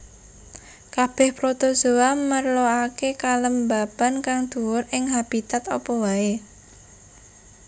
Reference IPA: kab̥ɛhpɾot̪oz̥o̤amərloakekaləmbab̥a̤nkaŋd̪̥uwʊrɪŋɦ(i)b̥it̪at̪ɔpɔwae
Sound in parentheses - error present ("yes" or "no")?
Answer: yes